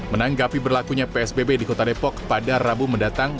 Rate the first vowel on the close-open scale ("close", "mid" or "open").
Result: mid